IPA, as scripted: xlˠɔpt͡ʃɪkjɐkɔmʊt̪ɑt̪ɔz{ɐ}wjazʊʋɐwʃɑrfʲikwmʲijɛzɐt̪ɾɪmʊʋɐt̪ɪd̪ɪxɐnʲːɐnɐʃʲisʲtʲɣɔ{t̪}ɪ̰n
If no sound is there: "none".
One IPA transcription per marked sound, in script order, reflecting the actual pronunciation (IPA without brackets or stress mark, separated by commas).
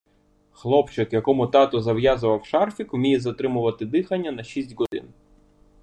ɐ, d̪